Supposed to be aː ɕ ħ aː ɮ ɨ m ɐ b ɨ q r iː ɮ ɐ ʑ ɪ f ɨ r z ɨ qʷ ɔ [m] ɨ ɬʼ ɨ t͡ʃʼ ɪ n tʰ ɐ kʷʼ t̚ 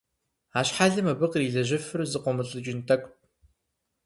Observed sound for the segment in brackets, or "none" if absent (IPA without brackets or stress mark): m